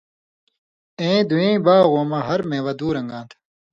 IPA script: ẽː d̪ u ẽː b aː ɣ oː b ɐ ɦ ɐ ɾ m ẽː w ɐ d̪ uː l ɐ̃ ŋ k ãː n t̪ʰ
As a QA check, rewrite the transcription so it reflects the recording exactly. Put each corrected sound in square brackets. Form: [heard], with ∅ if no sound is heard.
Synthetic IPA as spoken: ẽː d̪ u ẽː b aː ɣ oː [m] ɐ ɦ ɐ ɾ m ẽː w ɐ d̪ uː [ɾ] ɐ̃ ŋ [ɡ] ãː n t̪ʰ